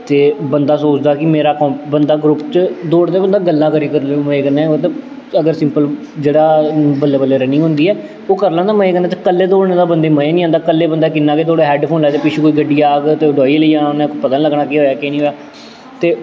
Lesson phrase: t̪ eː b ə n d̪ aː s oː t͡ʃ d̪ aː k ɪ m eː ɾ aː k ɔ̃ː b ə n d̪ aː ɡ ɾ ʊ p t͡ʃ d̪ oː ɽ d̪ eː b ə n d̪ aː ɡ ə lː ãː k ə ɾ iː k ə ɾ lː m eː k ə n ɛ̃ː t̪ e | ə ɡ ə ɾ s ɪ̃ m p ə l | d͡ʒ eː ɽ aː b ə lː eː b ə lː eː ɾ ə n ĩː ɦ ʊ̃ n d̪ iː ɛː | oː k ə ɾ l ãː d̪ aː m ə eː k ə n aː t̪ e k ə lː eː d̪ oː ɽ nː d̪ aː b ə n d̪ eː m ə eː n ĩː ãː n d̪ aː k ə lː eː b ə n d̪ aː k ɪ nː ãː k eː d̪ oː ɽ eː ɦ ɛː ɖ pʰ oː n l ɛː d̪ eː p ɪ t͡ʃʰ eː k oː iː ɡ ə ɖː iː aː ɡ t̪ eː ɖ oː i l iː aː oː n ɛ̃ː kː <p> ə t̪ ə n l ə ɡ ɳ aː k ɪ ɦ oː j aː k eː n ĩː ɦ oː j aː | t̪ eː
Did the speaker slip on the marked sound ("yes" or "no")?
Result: no